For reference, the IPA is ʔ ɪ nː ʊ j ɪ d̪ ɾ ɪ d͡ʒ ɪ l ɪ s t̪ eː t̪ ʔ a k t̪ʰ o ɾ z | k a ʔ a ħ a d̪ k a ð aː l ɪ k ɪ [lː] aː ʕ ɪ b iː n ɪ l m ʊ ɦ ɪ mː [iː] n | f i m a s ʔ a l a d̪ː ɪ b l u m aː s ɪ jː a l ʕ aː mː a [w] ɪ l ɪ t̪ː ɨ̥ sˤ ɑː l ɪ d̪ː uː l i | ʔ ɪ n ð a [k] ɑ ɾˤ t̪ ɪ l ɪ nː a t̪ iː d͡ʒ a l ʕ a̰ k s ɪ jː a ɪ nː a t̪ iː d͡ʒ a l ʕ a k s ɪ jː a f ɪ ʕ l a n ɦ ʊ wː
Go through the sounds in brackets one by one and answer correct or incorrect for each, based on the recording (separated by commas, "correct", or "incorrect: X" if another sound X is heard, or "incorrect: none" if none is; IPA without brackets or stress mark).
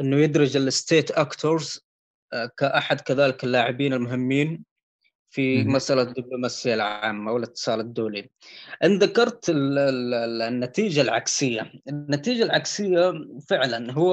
correct, correct, correct, correct